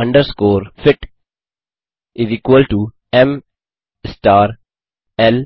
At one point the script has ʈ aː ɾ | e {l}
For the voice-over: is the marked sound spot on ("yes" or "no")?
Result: yes